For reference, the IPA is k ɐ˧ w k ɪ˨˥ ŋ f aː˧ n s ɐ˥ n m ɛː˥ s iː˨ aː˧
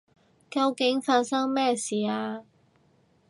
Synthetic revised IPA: k ɐ˧ w k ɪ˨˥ ŋ f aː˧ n s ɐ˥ ŋ m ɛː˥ s iː˨ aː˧

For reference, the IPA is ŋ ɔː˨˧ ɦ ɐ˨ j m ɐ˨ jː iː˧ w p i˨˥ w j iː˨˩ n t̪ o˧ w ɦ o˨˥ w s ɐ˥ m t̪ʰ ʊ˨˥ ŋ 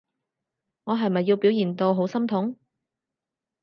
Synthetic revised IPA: ŋ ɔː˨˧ ɦ ɐ˨ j m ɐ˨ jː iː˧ w p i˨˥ w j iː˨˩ n t̪ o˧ w ɦ o˨˥ w s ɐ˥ m t̪ʰ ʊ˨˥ ŋ

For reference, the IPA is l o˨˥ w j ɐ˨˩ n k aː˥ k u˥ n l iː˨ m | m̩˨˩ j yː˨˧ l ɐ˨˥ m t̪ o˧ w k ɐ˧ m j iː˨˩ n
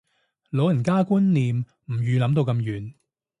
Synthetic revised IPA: l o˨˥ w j ɐ˨˩ n k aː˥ k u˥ n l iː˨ m | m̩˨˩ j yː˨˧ l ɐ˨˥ m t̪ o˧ w k ɐ˧ m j yː˨˩ n

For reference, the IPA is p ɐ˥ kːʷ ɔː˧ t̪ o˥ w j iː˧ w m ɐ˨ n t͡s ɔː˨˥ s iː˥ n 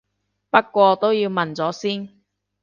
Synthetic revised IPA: p ɐ˥ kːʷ ɔː˧ t̪ o˥ w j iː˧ w m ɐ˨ n t͡s ɔː˨˥ s iː˥ n

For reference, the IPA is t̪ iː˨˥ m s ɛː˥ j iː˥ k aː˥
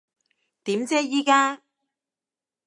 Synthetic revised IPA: t̪ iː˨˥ m t͡s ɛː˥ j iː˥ k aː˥

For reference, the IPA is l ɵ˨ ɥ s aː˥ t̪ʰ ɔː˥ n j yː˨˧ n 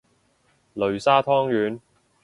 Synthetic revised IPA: l ɵ˨ ɥ s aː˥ t̪ʰ ɔː˥ ŋ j yː˨˧ n

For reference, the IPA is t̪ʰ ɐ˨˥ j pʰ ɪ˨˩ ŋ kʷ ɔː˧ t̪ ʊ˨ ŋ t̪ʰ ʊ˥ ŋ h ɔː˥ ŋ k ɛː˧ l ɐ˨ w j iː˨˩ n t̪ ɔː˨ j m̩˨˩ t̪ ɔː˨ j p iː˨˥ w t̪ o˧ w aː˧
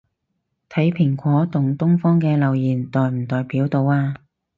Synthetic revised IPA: t̪ʰ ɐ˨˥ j pʰ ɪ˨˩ ŋ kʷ ɔː˨˥ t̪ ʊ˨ ŋ t̪ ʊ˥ ŋ f ɔː˥ ŋ k ɛː˧ l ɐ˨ w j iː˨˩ n t̪ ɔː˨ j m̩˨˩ t̪ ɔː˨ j p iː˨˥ w t̪ o˧ w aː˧

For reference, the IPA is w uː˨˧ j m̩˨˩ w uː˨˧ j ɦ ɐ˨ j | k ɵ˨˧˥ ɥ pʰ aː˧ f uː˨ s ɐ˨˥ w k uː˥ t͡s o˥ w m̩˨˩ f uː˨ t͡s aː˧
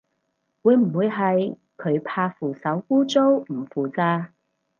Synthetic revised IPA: w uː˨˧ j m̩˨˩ w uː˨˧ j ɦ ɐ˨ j | kʰ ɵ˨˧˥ ɥ pʰ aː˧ f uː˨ s ɐ˨˥ w k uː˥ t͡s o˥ w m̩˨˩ f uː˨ t͡s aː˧

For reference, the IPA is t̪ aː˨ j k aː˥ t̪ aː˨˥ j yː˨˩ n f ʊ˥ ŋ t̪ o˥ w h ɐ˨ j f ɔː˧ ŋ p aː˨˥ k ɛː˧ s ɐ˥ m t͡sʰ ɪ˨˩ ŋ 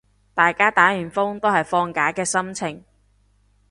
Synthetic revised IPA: t̪ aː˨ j k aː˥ t̪ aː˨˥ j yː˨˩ n f ʊ˥ ŋ t̪ o˥ w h ɐ˨ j f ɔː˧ ŋ k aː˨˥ k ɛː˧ s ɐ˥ m t͡sʰ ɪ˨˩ ŋ

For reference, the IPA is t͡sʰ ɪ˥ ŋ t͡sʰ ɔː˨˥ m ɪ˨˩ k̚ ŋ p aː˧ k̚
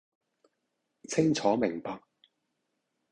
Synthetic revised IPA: t͡sʰ ɪ˥ ŋ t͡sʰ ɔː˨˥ m ɪ˨˩ ŋ p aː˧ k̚

